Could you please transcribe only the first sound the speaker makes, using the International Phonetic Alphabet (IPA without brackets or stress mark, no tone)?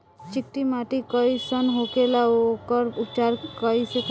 t͡ʃ